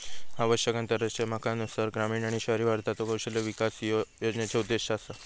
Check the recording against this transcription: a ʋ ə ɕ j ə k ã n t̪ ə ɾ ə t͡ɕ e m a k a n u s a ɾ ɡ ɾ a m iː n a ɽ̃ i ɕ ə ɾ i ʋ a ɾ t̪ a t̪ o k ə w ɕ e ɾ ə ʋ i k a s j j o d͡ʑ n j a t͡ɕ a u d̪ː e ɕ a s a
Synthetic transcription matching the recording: a ʋ ə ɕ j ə k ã n t̪ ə ɾ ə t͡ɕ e m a k a n u s a ɾ ɡ ɾ a m iː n a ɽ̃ i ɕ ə ɾ i ʋ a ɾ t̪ a t̪ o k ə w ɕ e l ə ʋ i k a s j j o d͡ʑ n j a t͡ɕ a u d̪ː e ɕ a s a